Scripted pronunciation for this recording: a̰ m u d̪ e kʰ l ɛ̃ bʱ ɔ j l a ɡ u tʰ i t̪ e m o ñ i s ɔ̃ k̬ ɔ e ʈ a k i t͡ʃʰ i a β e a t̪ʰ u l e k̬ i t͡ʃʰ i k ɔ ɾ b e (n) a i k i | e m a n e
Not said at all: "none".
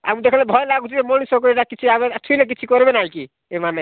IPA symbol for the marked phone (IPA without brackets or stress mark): n